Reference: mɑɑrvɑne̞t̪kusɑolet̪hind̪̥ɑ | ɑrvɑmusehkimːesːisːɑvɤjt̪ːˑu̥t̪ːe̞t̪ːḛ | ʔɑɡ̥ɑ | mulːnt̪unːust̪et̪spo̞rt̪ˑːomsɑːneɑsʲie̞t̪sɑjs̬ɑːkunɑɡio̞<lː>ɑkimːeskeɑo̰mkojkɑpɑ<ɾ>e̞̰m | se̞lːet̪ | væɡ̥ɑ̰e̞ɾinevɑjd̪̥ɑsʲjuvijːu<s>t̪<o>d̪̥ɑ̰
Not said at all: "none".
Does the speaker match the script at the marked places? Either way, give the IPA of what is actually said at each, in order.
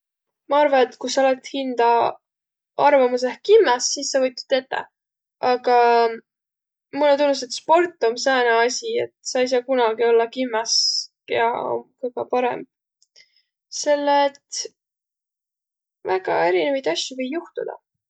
lː, ɾ, h, u

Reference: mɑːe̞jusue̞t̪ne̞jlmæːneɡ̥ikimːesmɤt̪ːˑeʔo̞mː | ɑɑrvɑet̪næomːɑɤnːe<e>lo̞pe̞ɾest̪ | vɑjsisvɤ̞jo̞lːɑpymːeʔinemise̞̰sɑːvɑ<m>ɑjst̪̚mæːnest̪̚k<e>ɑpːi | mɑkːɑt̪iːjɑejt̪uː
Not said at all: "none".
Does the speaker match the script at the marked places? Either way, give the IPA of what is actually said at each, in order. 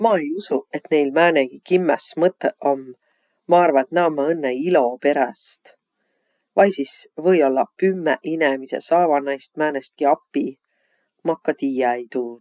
i, n, i

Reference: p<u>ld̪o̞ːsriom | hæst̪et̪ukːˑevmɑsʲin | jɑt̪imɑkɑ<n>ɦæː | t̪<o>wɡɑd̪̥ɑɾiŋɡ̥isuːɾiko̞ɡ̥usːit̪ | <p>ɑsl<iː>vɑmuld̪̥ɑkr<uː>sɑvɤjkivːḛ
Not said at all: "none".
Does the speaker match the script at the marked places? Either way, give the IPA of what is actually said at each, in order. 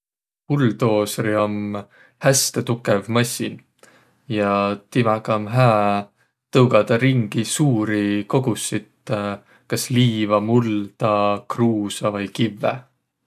u, m, ɤ, k, iː, uː

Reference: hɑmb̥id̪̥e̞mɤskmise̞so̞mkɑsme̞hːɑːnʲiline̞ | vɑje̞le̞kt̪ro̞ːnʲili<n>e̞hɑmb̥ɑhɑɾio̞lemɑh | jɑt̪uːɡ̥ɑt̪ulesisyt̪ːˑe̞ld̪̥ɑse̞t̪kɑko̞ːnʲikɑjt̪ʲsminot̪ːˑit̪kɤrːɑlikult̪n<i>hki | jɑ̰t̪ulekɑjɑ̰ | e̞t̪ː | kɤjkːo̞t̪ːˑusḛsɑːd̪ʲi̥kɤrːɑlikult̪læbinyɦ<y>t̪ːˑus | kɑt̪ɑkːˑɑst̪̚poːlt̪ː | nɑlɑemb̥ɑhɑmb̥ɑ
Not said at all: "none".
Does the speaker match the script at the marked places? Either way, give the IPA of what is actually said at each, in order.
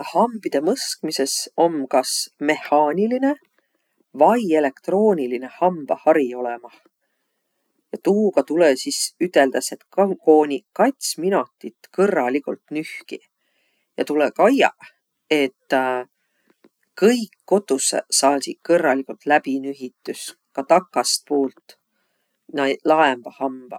n, y, i

